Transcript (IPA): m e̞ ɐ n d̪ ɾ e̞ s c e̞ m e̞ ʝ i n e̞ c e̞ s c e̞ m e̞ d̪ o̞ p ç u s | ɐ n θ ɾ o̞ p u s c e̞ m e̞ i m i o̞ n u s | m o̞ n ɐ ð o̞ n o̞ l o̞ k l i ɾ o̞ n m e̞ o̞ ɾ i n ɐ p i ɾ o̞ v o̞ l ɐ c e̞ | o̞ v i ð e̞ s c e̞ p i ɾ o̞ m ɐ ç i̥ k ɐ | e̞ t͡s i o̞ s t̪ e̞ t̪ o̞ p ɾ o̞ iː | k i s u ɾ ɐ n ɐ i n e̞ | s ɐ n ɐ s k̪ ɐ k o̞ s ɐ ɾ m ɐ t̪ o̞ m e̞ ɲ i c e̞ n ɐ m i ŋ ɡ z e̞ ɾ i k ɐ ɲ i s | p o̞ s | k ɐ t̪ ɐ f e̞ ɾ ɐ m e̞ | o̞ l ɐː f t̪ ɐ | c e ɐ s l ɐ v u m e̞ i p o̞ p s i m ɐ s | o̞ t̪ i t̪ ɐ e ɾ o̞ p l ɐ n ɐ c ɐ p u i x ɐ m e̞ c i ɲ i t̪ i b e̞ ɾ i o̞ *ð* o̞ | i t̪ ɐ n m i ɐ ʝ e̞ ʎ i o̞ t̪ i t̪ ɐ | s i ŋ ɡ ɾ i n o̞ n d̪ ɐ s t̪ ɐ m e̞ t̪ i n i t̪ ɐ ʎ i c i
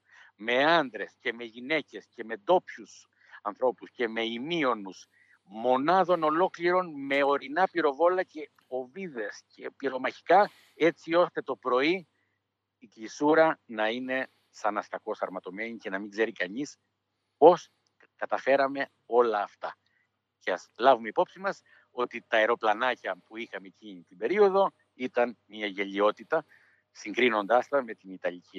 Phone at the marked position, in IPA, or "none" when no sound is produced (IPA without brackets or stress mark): ð